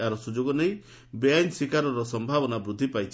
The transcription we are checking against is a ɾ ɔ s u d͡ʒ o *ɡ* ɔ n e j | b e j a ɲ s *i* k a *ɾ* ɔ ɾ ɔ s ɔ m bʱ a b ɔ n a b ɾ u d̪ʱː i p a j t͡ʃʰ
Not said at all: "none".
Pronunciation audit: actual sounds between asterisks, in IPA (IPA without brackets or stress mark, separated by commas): ɡ, i, ɾ